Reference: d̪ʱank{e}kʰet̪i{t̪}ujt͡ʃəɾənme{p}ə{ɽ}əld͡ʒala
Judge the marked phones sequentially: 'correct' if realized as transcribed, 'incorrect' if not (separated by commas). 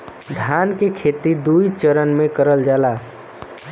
correct, incorrect, incorrect, incorrect